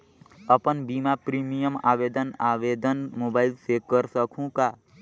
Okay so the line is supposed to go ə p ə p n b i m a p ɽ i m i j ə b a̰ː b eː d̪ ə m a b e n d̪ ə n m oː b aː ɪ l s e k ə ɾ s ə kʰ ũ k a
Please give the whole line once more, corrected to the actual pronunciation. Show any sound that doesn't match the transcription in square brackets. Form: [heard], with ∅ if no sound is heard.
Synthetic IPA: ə p ə [∅] n b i m a p [ɾ] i m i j ə [m] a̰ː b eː d̪ ə [n] a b e [∅] d̪ ə n m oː b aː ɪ l s e k ə ɾ s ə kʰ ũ k a